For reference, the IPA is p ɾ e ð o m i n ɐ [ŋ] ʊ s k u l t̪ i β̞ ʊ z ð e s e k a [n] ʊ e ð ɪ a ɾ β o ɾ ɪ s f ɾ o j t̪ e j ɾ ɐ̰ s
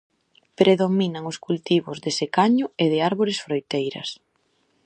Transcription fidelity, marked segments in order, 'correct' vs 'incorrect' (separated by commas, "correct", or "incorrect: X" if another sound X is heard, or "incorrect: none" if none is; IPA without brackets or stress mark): correct, incorrect: ɲ